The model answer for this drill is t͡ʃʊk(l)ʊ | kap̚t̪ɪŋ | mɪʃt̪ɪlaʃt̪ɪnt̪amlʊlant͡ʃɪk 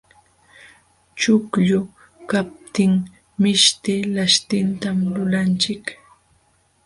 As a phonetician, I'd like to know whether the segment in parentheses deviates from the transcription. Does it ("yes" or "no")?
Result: yes